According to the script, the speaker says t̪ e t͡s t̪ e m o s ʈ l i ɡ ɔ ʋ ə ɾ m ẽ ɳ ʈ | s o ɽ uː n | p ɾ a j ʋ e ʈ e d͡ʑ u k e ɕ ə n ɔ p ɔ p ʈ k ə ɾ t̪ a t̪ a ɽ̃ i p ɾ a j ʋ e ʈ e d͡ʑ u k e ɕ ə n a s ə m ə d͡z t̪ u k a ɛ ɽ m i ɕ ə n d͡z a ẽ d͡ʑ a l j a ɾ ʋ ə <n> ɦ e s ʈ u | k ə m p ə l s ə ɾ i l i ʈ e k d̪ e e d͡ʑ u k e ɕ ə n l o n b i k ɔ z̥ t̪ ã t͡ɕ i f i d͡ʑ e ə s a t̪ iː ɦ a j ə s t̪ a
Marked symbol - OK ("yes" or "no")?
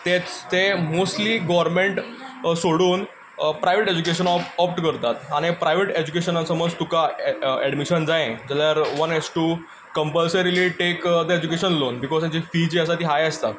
yes